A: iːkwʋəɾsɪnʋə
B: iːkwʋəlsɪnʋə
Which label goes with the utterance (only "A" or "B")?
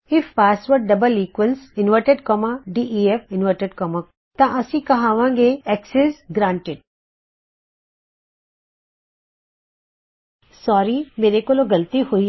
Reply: B